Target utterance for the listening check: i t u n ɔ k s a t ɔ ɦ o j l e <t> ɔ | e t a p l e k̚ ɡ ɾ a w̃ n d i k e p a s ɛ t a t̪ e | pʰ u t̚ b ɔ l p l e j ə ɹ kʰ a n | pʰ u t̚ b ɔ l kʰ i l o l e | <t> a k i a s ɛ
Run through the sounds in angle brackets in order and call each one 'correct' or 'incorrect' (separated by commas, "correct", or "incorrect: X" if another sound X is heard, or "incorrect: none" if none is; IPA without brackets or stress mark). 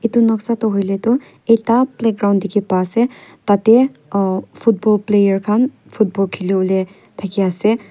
correct, incorrect: tʰ